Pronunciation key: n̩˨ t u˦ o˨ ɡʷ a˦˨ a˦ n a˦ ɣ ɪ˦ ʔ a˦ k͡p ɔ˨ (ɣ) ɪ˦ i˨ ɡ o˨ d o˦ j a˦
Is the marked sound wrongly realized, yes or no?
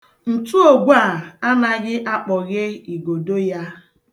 no